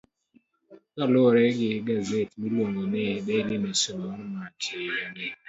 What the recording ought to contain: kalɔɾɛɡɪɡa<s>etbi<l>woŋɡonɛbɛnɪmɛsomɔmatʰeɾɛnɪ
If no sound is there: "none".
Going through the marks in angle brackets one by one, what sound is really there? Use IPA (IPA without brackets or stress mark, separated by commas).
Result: z, l